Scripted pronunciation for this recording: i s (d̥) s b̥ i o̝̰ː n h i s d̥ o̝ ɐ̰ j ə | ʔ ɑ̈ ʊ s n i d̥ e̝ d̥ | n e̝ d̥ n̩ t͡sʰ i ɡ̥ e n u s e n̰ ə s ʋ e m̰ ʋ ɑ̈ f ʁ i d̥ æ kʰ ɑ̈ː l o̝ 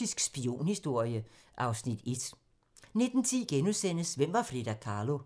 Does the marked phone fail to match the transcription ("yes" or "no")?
yes